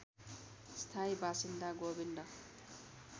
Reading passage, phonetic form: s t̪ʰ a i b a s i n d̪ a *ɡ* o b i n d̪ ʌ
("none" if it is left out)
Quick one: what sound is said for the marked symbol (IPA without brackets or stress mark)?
ɡ